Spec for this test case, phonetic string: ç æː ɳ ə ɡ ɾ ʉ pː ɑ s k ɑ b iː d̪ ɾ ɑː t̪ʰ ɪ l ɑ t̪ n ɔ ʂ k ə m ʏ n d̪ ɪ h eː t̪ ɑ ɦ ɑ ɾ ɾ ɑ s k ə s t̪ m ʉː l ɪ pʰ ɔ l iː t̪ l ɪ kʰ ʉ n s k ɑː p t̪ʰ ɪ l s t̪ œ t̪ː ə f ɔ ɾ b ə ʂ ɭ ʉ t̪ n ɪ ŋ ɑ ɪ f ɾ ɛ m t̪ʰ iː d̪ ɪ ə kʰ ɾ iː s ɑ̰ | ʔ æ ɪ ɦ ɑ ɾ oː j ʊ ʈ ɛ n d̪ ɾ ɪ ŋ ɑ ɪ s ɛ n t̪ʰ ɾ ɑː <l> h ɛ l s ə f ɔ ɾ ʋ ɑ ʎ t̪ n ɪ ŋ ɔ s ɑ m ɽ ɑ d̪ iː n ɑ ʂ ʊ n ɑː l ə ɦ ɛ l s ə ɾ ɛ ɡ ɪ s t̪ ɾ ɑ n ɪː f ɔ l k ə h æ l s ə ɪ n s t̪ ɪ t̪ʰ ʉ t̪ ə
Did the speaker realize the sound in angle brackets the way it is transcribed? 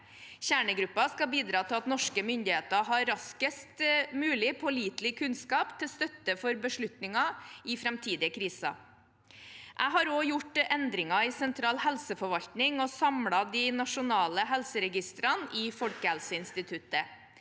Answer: yes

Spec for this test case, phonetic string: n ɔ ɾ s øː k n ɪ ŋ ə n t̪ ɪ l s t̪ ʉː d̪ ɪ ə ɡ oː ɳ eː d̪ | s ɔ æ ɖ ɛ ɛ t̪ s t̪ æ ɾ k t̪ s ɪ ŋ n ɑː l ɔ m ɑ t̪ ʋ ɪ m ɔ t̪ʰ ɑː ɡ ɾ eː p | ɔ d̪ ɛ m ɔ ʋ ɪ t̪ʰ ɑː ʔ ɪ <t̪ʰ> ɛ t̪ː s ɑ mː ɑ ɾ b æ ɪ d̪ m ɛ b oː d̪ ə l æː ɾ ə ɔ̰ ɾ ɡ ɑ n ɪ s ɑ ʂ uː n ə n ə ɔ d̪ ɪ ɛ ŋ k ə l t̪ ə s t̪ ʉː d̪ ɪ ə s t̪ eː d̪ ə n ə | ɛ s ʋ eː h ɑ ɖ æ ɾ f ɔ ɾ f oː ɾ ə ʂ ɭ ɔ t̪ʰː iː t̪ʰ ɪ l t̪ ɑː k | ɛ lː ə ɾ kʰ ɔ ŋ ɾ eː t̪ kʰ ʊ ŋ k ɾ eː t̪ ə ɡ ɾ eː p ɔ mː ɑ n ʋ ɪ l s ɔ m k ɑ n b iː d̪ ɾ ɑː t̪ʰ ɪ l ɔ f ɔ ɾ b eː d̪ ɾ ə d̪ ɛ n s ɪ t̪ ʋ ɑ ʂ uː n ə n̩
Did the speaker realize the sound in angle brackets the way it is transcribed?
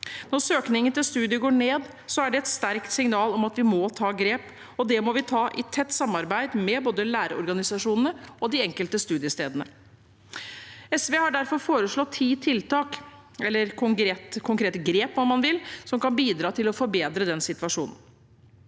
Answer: yes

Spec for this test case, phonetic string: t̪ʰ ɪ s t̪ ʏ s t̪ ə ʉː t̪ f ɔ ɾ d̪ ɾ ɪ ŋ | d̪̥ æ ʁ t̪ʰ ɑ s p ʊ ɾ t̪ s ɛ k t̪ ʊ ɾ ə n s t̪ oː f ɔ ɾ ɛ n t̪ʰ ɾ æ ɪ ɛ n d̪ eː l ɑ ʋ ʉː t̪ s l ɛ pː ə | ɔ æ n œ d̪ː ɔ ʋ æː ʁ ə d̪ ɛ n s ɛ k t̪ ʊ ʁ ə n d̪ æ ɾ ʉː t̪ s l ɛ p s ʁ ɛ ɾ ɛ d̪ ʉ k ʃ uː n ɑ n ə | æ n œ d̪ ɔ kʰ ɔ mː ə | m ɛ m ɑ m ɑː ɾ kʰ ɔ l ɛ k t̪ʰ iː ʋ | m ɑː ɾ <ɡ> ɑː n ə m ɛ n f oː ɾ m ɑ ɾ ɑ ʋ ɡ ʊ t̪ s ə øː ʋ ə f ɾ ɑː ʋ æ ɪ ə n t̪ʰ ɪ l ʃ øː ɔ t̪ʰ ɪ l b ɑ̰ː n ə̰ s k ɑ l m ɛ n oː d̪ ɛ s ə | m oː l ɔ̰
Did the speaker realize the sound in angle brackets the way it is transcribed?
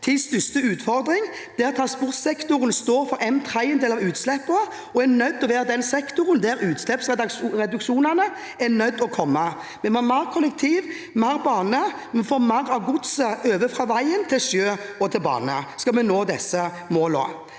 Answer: no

